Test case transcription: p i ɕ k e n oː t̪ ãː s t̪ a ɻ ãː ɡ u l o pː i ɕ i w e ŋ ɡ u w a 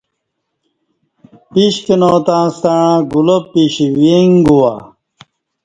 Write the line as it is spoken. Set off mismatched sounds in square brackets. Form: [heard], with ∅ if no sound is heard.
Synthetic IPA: p i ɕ k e n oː t̪ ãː s t̪ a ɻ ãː ɡ u l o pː i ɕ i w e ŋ ɡ u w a